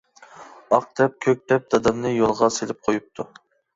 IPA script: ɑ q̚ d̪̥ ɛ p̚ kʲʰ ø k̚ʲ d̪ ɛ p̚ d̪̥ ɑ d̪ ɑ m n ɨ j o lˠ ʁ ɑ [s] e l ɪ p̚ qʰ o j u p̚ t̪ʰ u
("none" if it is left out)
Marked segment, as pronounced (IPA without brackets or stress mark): s